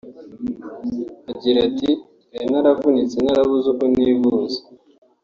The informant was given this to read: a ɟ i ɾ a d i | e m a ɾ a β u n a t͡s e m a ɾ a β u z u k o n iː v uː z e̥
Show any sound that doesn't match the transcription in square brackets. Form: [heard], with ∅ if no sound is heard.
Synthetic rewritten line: a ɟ i ɾ a [t] i | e [n] a ɾ a [v] u n [i] t͡s e [n] a ɾ a β u z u k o n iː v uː z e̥